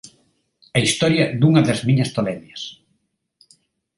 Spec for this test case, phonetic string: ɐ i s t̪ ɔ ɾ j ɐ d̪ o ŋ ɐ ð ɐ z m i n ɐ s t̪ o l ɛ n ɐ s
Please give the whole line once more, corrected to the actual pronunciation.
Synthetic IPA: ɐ i s t̪ ɔ ɾ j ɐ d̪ u ŋ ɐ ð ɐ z m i ɲ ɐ s t̪ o l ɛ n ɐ s